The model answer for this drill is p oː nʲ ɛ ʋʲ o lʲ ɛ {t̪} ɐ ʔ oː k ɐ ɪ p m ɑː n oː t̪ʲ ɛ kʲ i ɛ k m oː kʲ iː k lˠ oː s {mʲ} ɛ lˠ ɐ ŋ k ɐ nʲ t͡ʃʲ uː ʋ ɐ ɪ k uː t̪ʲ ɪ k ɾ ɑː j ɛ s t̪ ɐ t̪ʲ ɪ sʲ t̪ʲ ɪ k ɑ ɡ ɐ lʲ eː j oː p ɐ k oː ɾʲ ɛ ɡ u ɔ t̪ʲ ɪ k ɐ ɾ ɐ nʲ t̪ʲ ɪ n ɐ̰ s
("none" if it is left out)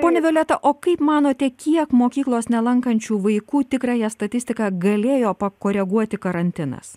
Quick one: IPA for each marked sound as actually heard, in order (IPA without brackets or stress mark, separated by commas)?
t̪, nʲ